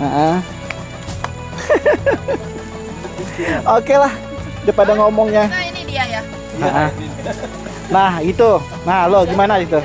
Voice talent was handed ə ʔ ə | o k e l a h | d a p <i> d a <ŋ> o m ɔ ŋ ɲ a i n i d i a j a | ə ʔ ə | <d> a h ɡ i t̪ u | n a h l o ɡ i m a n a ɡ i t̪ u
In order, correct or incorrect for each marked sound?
incorrect: a, correct, incorrect: n

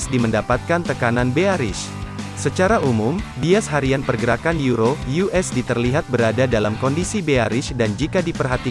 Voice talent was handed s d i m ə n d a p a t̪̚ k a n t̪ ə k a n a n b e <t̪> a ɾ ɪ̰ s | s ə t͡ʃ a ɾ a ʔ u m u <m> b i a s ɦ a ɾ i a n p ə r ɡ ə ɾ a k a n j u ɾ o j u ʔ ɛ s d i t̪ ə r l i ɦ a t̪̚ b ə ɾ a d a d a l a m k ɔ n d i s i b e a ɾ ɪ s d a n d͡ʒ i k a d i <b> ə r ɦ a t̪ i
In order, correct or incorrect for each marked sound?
incorrect: none, correct, incorrect: p

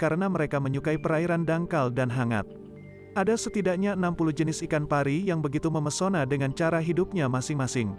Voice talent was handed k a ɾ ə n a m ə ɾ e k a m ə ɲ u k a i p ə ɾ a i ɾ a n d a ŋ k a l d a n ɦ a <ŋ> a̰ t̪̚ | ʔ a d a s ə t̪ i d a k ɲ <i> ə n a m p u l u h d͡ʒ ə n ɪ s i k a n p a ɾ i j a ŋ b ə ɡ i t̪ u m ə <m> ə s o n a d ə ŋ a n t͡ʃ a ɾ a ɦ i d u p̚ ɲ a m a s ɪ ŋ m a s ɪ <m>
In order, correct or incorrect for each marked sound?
correct, incorrect: a, correct, incorrect: ŋ

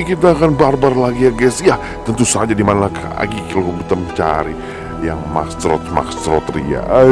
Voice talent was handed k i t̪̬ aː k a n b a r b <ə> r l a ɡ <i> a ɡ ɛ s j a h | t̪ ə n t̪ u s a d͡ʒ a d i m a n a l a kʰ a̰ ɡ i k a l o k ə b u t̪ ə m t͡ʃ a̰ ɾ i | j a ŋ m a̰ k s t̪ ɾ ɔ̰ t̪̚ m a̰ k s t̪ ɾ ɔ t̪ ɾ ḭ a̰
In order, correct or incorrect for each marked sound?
incorrect: a, correct

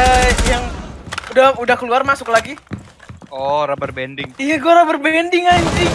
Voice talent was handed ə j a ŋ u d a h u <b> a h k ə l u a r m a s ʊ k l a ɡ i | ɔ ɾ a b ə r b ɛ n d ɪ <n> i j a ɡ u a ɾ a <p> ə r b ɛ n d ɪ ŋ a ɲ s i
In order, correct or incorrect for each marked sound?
incorrect: d, incorrect: ŋ, incorrect: b

